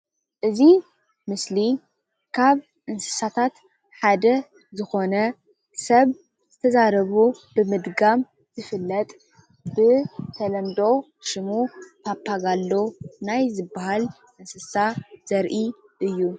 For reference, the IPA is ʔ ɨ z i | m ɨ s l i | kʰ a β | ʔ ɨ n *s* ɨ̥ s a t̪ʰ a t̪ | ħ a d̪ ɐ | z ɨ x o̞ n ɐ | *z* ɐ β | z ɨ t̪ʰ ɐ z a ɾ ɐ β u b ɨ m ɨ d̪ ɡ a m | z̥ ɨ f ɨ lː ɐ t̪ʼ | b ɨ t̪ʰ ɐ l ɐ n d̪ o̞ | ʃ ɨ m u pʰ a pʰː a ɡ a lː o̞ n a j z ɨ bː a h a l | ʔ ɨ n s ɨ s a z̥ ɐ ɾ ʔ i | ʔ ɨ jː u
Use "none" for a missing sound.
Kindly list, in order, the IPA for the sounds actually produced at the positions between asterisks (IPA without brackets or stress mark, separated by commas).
s, s